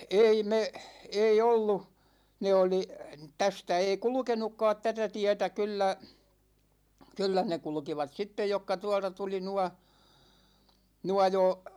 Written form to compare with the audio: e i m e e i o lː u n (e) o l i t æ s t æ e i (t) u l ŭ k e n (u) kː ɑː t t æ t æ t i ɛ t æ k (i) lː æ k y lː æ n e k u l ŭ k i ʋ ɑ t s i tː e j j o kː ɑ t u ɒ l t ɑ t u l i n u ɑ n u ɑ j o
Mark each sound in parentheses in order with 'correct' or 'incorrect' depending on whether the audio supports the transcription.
correct, incorrect, correct, incorrect

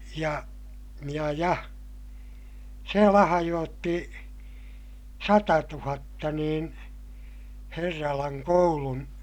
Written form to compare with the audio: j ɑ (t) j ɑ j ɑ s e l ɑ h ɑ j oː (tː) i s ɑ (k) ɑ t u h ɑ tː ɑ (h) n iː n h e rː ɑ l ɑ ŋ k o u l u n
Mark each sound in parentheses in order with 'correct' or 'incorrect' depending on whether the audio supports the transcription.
incorrect, correct, incorrect, incorrect

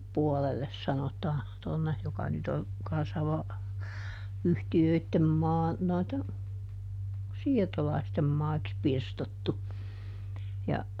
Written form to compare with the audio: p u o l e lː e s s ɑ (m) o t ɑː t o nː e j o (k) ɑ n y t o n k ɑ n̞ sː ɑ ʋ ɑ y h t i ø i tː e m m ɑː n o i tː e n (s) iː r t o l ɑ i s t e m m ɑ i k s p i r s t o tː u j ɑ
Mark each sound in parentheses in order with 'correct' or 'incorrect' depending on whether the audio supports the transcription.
incorrect, correct, correct

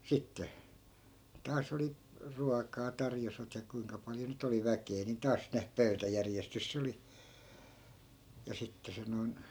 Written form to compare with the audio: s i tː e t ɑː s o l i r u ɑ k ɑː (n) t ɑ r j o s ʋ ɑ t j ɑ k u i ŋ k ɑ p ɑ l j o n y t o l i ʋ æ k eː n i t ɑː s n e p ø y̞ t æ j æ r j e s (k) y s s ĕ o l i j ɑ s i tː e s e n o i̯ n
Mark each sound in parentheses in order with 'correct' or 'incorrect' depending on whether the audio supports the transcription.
incorrect, incorrect

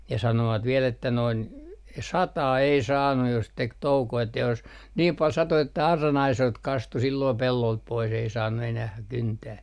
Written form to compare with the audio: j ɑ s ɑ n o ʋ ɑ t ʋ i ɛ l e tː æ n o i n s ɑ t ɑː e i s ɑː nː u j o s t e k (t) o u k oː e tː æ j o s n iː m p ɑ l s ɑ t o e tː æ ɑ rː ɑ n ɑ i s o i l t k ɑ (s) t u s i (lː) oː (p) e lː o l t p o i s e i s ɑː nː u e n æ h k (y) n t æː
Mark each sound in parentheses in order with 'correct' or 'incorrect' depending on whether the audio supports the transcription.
correct, correct, correct, correct, correct

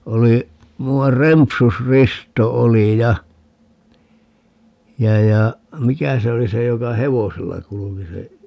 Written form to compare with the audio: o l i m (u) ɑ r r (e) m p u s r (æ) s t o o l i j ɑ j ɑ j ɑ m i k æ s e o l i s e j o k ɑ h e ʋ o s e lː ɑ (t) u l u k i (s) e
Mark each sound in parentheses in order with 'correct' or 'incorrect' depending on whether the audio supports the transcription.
correct, correct, incorrect, incorrect, correct

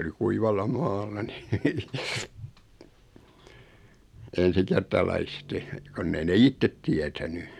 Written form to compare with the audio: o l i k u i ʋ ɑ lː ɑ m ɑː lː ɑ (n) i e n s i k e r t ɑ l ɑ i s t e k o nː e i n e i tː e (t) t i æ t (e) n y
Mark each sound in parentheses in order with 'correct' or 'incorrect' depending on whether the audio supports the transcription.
correct, correct, incorrect

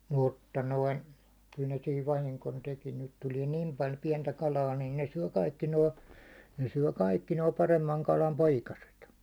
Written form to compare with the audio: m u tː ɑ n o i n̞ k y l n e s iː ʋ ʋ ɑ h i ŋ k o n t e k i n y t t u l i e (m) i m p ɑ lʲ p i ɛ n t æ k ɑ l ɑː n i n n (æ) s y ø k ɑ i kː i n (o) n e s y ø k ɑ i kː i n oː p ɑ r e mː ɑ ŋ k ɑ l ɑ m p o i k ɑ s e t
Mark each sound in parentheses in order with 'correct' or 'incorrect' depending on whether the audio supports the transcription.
incorrect, incorrect, incorrect

